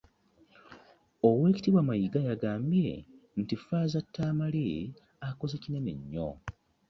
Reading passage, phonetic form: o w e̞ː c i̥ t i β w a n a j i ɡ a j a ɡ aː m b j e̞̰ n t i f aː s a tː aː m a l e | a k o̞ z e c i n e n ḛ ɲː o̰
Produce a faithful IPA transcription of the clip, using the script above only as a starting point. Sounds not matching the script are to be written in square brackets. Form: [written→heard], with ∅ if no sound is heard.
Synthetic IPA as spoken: o w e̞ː c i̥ t i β w a [n→m] a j i ɡ a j a ɡ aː m b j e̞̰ n t i f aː [s→z] a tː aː m a l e | a k o̞ z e c i n e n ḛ ɲː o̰